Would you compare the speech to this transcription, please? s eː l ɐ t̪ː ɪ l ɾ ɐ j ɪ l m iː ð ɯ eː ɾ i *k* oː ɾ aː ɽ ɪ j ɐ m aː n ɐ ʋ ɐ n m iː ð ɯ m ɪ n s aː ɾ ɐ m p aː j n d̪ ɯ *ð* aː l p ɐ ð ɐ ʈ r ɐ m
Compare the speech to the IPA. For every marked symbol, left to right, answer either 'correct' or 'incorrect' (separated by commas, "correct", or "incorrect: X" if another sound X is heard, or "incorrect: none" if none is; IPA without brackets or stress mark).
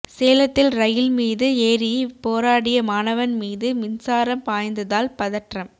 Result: incorrect: p, correct